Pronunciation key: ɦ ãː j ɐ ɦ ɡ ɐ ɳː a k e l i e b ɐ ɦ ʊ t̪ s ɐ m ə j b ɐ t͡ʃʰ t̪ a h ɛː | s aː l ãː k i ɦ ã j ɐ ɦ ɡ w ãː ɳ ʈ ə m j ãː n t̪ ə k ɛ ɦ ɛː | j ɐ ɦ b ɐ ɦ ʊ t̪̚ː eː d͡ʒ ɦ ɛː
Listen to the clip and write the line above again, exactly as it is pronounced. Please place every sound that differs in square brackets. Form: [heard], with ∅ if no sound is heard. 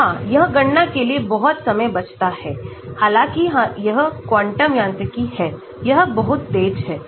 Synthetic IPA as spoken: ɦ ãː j ɐ ɦ ɡ ɐ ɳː a k e l i e b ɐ ɦ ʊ t̪ s ɐ m ə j b ɐ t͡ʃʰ t̪ a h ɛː | [h] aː l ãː k i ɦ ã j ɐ ɦ [k] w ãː ɳ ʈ ə m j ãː n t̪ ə k [i] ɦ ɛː | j ɐ ɦ b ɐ ɦ ʊ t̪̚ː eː d͡ʒ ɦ ɛː